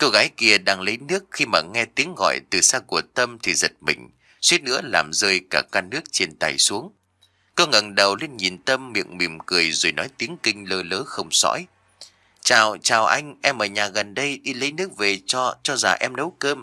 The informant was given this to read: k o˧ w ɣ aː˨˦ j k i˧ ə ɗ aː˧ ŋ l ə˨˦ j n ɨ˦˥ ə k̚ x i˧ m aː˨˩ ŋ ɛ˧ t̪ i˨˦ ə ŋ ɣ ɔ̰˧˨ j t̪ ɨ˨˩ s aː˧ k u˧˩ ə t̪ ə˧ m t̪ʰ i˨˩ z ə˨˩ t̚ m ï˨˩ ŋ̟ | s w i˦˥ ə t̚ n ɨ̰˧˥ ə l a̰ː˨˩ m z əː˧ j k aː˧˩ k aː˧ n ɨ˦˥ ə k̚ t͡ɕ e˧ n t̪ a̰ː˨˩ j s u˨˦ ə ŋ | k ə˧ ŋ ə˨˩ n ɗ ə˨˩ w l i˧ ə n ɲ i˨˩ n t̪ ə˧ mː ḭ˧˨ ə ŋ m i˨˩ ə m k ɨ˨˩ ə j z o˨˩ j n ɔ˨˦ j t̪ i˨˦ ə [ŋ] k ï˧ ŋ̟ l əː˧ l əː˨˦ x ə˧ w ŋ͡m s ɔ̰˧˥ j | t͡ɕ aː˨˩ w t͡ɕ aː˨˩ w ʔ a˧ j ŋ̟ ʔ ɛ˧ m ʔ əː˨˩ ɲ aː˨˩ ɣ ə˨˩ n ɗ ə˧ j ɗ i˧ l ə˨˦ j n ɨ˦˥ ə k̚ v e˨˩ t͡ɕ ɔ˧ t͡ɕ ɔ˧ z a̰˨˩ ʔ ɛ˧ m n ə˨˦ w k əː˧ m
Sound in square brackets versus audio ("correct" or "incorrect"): correct